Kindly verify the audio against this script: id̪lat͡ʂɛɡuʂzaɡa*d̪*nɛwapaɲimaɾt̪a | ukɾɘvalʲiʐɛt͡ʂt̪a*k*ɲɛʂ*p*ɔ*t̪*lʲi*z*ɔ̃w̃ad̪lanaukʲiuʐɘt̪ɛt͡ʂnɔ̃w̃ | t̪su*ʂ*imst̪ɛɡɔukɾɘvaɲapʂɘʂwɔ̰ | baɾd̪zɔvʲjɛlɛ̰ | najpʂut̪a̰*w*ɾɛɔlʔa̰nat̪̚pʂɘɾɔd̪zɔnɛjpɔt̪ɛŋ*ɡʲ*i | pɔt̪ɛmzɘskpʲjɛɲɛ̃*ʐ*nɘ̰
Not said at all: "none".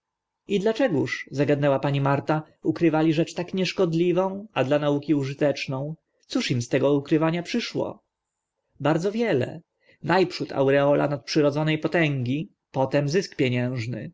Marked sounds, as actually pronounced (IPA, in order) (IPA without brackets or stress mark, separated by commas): d̪, k, k, d̪, v, ʂ, w, ɡʲ, ʐ